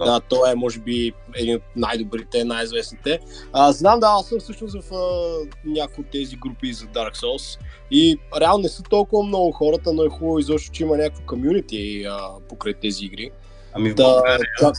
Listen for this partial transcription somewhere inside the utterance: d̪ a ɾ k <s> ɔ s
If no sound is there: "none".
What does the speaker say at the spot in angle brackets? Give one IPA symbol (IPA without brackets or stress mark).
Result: s